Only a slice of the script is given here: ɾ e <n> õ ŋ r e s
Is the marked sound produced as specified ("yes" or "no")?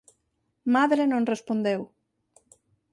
yes